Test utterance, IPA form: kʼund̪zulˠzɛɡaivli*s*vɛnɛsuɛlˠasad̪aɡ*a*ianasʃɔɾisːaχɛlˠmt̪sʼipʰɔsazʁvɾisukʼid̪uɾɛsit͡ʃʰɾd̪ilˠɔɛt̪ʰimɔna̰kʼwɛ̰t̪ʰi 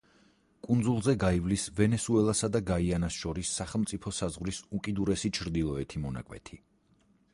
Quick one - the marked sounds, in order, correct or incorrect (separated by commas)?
correct, correct